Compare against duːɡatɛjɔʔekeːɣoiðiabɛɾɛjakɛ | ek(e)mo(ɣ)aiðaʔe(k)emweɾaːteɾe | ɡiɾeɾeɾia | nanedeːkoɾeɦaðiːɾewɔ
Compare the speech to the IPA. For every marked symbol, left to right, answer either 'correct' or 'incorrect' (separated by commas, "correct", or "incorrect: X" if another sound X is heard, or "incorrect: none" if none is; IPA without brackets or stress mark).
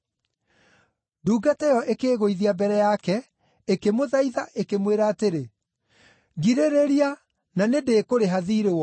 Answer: correct, incorrect: ð, correct